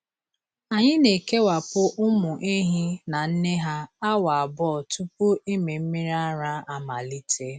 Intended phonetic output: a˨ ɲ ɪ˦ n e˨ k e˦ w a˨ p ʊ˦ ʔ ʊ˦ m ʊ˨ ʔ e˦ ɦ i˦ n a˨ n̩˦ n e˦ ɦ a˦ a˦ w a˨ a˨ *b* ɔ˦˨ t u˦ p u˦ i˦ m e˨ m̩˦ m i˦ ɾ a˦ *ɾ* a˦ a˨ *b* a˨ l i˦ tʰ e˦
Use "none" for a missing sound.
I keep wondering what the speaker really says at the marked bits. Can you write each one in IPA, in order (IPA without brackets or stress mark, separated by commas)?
b, ɾ, m